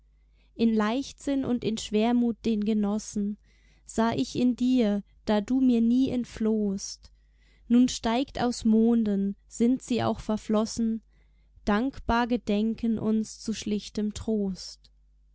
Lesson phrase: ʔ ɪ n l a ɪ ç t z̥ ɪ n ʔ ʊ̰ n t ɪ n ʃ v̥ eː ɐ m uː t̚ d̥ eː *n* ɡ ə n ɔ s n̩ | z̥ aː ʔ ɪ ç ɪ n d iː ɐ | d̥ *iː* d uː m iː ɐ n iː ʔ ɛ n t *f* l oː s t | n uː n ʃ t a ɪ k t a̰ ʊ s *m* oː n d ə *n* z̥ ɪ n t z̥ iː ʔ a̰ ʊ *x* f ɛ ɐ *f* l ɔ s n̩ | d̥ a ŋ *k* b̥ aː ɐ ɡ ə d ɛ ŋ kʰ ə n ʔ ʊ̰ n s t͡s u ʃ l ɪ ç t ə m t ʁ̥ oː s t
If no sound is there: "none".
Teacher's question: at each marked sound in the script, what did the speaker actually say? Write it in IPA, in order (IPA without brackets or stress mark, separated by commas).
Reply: n, aː, f, m, n, x, f, k